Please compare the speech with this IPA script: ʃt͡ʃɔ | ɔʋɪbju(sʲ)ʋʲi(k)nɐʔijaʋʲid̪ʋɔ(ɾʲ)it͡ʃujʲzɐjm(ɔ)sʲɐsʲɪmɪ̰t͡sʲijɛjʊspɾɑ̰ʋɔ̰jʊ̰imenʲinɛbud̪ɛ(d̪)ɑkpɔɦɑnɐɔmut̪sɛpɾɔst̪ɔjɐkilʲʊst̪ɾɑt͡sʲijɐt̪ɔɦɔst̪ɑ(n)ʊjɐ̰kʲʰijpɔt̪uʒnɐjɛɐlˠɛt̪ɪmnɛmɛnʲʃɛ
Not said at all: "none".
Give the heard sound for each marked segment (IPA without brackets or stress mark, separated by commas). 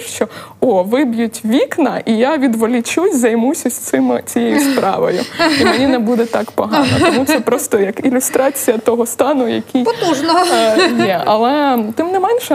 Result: tʲ, k, lʲ, u, t̪, n